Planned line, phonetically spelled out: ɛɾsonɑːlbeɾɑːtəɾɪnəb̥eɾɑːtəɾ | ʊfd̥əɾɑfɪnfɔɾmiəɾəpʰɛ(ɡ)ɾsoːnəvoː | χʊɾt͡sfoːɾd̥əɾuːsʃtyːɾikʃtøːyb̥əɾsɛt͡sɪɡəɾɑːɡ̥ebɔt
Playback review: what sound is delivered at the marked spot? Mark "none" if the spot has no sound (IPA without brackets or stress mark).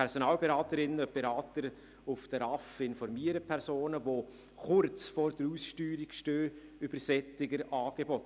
none